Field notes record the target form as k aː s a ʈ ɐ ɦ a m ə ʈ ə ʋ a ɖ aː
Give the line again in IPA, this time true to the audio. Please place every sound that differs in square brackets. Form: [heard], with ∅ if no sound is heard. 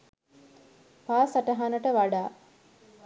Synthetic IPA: [p] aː s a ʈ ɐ ɦ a [n] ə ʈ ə ʋ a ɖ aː